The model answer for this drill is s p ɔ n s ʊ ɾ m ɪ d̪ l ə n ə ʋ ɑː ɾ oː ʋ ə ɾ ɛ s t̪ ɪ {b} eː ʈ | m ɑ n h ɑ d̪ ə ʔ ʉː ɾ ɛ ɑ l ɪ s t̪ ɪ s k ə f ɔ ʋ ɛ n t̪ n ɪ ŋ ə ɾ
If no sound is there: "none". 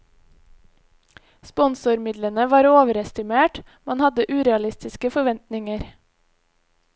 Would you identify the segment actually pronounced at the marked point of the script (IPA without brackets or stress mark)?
m